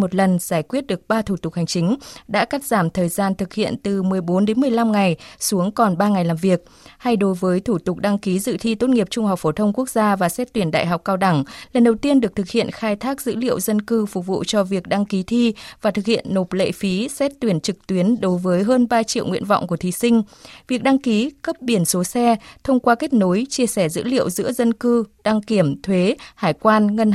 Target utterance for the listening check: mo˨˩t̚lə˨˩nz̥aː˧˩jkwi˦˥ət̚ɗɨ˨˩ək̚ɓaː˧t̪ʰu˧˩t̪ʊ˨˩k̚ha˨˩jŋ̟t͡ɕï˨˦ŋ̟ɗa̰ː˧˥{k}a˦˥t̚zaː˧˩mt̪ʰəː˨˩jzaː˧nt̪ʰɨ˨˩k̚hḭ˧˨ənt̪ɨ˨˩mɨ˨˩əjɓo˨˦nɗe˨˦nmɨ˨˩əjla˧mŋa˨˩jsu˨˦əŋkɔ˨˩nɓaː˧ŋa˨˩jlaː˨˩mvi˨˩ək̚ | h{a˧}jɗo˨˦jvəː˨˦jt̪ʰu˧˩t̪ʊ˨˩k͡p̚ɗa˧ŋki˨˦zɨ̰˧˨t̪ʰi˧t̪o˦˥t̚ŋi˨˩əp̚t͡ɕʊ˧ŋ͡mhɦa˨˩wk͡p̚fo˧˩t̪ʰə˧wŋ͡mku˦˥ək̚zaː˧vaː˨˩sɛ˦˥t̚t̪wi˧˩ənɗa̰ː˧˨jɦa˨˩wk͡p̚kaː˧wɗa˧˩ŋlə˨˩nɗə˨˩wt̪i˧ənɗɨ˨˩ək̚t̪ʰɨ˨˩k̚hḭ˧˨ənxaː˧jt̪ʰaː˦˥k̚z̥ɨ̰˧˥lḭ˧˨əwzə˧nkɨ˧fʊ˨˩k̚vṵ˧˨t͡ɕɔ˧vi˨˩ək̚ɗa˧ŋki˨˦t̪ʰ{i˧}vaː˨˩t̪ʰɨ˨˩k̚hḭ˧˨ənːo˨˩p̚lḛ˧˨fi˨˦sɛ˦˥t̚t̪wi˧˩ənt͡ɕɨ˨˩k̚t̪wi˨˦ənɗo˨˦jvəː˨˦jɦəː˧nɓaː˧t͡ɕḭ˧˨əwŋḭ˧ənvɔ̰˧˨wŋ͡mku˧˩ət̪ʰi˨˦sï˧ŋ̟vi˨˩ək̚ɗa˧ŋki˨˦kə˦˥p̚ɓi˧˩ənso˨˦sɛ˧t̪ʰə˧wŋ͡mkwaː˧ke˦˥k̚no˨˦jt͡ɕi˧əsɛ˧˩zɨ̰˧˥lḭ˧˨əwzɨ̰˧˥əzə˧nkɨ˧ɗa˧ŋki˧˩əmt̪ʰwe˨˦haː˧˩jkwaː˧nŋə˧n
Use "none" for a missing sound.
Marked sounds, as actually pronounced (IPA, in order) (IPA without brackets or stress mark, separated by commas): k, a˧, i˧